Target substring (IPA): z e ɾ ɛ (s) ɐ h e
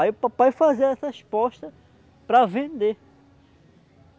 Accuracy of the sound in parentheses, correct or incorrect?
correct